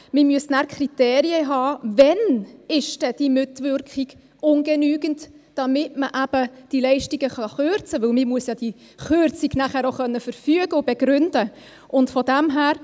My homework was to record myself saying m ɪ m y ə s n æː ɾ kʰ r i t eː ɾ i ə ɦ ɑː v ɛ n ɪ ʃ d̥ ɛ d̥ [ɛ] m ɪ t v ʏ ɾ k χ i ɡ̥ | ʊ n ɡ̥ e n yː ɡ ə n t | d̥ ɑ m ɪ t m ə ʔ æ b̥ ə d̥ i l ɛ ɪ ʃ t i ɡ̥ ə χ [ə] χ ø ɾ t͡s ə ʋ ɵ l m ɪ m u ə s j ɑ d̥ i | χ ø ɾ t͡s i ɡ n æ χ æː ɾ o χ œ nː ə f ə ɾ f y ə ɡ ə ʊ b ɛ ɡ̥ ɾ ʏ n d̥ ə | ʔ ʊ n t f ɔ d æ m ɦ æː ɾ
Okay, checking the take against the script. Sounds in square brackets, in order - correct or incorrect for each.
incorrect, incorrect

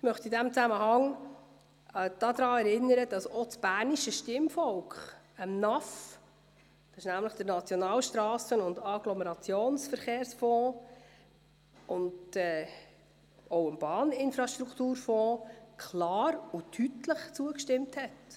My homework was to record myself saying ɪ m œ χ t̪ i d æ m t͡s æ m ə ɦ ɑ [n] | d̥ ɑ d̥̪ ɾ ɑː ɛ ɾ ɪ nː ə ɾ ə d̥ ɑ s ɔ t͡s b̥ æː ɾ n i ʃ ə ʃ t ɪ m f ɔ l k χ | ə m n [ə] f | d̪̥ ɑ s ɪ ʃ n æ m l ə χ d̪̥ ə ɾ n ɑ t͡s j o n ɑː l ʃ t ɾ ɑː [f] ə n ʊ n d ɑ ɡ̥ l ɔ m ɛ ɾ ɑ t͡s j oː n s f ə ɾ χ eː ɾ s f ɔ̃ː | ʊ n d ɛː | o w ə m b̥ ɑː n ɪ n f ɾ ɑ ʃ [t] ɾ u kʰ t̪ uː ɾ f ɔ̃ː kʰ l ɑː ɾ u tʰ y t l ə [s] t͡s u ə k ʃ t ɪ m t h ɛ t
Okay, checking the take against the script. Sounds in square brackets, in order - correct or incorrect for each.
incorrect, incorrect, incorrect, correct, incorrect

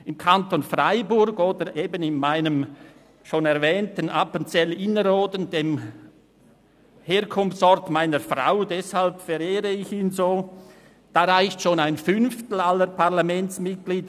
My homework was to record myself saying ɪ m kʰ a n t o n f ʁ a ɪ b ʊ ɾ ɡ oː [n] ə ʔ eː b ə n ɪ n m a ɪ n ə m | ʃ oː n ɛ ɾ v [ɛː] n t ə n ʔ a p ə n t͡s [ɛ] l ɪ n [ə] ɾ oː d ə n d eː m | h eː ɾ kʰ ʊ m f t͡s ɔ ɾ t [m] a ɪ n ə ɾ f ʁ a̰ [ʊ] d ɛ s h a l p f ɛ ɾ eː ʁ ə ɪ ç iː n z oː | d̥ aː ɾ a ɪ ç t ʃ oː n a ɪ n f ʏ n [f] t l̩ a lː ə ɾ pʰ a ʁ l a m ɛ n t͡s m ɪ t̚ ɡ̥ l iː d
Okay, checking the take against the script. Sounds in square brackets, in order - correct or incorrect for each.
incorrect, correct, correct, correct, correct, correct, correct

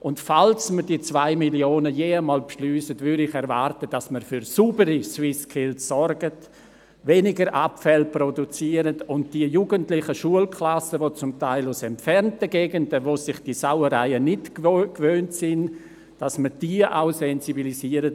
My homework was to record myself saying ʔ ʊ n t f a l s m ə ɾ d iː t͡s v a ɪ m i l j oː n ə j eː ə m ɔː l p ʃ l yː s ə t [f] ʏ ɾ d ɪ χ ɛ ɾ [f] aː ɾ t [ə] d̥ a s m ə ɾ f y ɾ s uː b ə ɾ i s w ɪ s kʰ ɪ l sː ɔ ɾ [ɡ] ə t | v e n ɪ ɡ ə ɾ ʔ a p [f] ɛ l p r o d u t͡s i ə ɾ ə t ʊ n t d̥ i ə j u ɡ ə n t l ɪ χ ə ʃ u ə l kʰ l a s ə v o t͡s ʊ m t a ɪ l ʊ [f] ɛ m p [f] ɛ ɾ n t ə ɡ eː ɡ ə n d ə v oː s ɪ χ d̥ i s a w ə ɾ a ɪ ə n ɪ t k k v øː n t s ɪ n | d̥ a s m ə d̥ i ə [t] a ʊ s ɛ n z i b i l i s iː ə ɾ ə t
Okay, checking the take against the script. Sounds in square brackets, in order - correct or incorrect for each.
incorrect, incorrect, correct, correct, correct, incorrect, correct, incorrect

